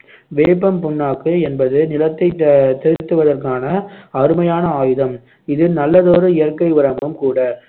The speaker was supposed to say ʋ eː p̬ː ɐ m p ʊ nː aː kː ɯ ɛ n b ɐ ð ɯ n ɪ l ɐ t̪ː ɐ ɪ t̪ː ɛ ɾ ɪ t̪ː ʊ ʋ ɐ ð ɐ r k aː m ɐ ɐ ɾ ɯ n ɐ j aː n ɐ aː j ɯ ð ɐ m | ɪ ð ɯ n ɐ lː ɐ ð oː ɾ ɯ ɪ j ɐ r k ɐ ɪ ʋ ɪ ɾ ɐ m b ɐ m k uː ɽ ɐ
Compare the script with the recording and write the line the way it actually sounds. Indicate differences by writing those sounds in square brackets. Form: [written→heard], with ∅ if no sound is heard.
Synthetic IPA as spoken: ʋ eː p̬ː ɐ m p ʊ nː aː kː ɯ ɛ n b ɐ ð ɯ n ɪ l ɐ t̪ː ɐ ɪ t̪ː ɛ ɾ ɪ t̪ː [ʊ→ɯ] ʋ ɐ ð ɐ r k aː [m→n] ɐ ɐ ɾ ɯ [n→m] ɐ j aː n ɐ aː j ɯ ð ɐ m | ɪ ð ɯ n ɐ lː ɐ ð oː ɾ ɯ ɪ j ɐ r k ɐ ɪ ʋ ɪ ɾ ɐ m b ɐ m k uː ɽ ɐ